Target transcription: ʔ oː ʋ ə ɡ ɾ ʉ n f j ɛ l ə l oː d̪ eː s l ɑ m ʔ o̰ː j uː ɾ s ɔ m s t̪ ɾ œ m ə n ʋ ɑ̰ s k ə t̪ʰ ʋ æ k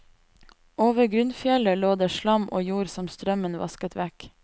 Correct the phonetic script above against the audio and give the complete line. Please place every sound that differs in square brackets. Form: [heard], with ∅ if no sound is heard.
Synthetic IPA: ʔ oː ʋ ə ɡ ɾ ʉ n f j ɛ l ə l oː d̪ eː [ʃ] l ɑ m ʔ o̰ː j uː ɾ s ɔ m s t̪ ɾ œ m ə n ʋ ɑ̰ s k ə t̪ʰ ʋ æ k